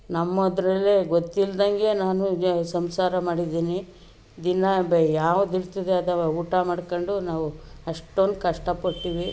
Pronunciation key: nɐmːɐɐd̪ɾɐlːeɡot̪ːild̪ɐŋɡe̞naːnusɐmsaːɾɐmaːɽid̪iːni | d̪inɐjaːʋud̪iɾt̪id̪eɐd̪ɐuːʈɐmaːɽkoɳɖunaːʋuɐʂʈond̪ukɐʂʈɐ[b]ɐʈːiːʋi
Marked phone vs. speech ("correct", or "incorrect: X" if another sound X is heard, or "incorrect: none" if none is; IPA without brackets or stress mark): incorrect: p